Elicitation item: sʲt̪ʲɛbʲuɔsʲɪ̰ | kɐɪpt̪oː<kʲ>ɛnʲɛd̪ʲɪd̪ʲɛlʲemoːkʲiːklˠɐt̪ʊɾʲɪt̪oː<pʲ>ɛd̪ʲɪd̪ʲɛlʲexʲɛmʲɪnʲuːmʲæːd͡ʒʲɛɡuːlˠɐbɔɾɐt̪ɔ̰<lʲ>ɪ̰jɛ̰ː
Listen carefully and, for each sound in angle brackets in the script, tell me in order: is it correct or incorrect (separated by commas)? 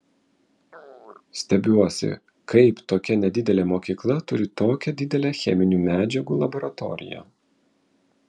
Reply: correct, incorrect, incorrect